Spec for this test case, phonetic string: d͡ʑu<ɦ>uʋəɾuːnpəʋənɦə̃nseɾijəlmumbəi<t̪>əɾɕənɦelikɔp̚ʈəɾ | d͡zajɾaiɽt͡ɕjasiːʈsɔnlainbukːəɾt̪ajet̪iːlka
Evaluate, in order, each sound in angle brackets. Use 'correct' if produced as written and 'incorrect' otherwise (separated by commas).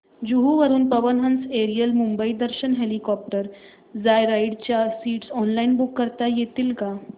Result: correct, incorrect